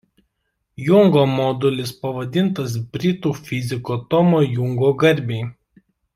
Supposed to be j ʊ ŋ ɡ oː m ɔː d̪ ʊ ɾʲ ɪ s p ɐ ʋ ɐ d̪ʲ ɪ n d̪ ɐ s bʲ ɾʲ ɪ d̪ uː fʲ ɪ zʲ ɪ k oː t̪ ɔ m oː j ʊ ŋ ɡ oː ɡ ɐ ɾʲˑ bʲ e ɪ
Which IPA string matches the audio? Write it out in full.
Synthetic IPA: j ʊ ŋ ɡ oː m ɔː d̪ ʊ lʲ ɪ s p ɐ ʋ ɐ d̪ʲ ɪ n t̪ ɐ s bʲ ɾʲ ɪ t̪ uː fʲ ɪ zʲ ɪ k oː t̪ ɔ m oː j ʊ ŋ ɡ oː ɡ ɐ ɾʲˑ bʲ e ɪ